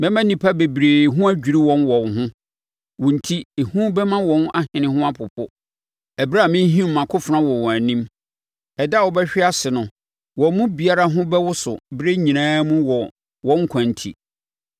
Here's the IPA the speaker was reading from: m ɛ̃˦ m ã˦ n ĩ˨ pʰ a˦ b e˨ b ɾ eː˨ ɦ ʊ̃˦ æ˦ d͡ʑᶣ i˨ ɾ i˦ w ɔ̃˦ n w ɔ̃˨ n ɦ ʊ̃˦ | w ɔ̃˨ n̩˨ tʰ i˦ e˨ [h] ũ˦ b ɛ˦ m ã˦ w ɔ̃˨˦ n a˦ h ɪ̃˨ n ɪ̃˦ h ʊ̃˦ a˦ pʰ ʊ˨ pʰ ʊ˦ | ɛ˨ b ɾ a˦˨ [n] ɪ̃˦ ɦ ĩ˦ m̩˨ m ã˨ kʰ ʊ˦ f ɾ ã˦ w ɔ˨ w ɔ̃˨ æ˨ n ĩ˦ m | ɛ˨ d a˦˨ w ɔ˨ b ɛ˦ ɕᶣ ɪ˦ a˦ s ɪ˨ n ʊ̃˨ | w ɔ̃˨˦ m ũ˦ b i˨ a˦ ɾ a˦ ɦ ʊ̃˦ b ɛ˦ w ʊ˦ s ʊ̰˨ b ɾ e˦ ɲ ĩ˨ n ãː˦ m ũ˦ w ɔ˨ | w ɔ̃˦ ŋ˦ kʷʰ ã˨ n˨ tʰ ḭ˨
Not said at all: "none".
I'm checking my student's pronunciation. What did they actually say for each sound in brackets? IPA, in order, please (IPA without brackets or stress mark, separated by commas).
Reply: h, m